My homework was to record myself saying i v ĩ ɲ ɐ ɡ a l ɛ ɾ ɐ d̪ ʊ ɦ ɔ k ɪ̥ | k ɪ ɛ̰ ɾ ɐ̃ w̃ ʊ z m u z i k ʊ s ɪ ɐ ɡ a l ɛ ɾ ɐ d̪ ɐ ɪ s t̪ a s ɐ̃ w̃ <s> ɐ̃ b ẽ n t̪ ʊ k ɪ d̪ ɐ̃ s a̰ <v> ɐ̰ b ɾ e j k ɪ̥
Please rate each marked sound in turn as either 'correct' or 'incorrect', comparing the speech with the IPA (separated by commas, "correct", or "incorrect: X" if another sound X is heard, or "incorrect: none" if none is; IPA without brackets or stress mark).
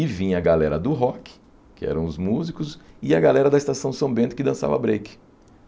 correct, correct